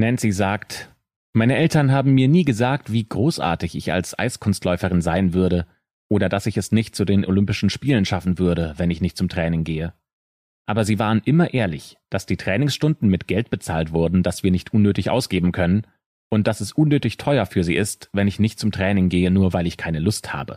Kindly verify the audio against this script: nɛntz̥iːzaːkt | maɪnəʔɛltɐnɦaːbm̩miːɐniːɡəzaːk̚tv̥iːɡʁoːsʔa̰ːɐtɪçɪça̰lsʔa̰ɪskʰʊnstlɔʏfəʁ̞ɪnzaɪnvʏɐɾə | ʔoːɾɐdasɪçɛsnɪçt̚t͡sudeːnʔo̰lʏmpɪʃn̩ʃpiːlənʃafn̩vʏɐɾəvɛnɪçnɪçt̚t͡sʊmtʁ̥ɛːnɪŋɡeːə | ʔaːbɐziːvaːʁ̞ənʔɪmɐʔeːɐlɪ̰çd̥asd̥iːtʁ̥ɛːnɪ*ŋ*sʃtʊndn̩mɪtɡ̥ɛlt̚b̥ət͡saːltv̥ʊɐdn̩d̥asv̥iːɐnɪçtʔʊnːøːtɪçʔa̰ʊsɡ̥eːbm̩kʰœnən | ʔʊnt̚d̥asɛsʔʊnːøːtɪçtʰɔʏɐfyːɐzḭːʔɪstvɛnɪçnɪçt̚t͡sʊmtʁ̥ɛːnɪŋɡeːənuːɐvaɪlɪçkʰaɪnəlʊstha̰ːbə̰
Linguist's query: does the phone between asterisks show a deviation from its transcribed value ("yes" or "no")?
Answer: no